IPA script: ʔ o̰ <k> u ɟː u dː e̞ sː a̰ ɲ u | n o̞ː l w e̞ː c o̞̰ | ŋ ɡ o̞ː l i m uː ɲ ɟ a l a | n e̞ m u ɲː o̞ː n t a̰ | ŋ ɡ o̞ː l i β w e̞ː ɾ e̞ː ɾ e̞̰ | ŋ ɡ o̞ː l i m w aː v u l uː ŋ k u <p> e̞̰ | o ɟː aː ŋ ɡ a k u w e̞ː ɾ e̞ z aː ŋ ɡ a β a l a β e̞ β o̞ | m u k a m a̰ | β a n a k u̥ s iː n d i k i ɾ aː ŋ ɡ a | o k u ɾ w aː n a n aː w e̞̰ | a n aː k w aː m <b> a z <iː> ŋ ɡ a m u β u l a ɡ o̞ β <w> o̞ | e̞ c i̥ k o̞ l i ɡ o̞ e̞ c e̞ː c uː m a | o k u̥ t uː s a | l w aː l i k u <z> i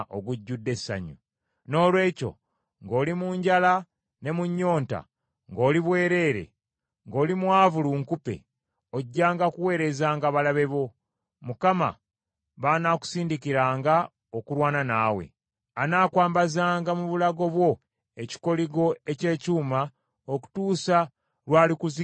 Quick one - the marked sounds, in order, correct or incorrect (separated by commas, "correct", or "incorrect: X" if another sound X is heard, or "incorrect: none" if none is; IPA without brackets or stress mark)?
incorrect: ɡ, correct, correct, incorrect: aː, correct, correct